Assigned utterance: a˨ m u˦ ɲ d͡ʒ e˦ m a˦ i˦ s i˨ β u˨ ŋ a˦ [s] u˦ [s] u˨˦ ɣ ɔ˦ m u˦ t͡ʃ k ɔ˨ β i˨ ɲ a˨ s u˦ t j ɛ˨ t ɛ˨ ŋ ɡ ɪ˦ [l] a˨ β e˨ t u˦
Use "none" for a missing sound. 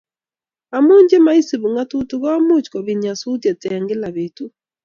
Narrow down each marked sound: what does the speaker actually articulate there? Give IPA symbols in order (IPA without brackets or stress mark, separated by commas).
t, t, l